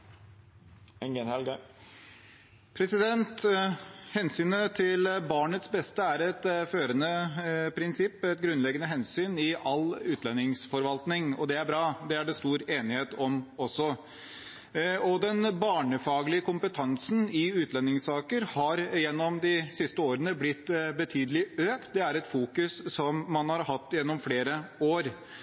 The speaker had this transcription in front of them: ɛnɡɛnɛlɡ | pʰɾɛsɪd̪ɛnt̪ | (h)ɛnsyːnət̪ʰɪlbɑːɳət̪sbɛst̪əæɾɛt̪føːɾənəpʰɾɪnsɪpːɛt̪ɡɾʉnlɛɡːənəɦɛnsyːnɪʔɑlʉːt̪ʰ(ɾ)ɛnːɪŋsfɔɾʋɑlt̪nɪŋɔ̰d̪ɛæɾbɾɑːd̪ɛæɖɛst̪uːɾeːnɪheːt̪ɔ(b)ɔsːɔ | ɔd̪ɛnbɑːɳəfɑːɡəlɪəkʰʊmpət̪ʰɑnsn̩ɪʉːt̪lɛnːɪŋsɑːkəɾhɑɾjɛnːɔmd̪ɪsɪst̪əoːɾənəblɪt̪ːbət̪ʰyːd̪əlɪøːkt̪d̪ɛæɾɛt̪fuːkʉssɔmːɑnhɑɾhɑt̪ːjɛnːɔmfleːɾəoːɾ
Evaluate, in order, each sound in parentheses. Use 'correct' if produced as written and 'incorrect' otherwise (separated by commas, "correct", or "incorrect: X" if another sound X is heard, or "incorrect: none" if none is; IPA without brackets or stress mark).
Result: correct, incorrect: l, incorrect: m